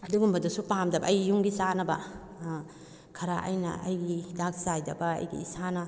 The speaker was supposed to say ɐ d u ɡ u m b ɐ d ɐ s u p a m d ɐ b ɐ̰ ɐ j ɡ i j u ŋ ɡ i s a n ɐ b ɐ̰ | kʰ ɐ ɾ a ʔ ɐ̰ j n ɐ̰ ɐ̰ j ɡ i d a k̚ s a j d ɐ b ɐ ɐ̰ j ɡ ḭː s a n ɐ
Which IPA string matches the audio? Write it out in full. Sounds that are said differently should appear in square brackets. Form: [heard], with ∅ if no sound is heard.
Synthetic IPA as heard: ɐ d u ɡ u m b ɐ d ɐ s u p a m d ɐ b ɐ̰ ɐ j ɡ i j u ŋ ɡ i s a n ɐ b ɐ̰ | kʰ ɐ ɾ a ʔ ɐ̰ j n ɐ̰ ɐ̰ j ɡ i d a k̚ s a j d ɐ b ɐ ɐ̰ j ɡ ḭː s a n ɐ